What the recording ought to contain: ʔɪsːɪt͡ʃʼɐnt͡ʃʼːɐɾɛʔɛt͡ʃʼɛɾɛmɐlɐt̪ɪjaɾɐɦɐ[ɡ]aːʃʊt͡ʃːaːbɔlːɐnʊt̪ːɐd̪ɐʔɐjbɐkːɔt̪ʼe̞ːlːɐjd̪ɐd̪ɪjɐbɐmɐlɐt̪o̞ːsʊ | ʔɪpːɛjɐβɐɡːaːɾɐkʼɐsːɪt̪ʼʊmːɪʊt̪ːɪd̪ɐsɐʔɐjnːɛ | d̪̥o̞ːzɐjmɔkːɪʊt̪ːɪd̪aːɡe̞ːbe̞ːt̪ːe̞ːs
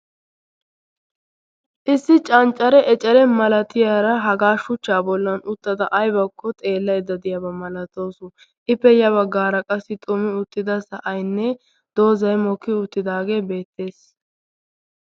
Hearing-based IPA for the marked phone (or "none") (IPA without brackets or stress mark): ɡ